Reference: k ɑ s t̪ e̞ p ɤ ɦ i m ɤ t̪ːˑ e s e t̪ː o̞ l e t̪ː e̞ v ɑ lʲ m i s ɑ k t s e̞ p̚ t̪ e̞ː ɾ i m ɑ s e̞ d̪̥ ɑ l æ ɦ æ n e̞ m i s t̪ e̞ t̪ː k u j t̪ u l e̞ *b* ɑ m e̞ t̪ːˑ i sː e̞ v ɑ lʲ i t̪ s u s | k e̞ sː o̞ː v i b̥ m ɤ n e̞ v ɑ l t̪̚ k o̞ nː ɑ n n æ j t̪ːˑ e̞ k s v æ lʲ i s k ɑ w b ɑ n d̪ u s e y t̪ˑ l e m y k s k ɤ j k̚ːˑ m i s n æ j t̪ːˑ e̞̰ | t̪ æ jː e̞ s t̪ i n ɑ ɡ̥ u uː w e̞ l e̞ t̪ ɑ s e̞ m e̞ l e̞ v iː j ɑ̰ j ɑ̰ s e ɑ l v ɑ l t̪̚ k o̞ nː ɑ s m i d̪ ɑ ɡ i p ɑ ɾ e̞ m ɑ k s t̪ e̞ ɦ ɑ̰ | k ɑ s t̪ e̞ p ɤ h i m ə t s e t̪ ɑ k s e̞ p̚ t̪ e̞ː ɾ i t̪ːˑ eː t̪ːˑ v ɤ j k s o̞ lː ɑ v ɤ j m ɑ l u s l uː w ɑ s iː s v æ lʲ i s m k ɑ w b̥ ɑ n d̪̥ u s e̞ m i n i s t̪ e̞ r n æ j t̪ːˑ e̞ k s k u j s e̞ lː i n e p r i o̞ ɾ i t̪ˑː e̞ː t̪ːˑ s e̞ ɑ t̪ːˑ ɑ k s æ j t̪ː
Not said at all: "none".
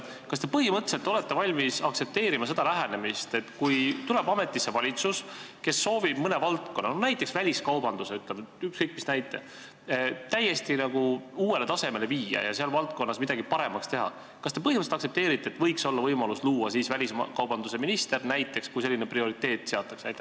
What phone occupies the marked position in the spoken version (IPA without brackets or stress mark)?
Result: b